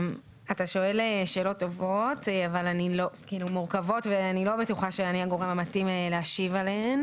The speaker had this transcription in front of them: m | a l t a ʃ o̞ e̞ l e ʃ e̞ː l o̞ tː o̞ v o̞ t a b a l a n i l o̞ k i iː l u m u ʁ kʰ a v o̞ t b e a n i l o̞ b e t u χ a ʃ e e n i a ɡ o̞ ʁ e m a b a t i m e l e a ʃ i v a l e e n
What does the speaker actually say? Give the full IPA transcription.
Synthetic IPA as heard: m | a t a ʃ o̞ e̞ l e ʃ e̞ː l o̞ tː o̞ v o̞ t a v a l a n i l o̞ k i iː l u m u ʁ k a v o̞ t v e a n i l o̞ b e t u χ a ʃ e a n i a ɡ o̞ ʁ e m a m a t i m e l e a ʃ i v a l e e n